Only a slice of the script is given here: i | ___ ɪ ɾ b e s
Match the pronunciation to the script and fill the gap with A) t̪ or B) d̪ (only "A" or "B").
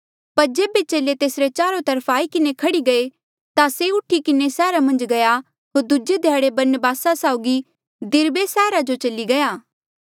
B